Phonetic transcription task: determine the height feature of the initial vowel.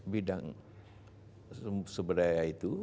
high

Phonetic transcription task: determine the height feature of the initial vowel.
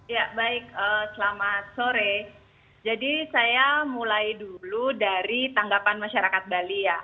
low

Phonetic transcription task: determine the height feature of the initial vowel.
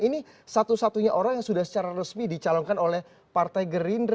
high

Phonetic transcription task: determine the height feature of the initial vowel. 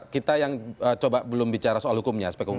high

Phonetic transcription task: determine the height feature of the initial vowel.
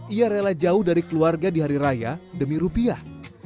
high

